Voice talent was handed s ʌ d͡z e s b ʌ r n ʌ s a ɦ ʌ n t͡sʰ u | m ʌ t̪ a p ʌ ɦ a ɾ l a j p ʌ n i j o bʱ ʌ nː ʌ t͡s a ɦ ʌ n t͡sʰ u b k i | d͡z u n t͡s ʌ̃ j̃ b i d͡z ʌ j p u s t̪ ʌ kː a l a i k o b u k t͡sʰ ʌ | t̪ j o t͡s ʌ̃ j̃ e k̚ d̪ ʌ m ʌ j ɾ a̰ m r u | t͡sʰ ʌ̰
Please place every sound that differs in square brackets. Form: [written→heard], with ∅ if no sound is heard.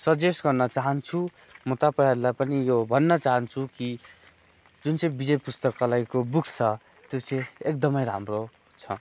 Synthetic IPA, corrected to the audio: s ʌ d͡z e s [b→ɡ] ʌ r n ʌ [s→t͡s] a ɦ ʌ n t͡sʰ u | m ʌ t̪ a p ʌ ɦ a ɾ l a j p ʌ n i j o bʱ ʌ nː ʌ t͡s a ɦ ʌ n t͡sʰ u [b→∅] k i | d͡z u n t͡s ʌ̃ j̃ b i d͡z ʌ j p u s t̪ ʌ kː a l a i k o b u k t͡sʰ ʌ | t̪ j o t͡s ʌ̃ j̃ e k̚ d̪ ʌ m ʌ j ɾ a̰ m r [u→o] | t͡sʰ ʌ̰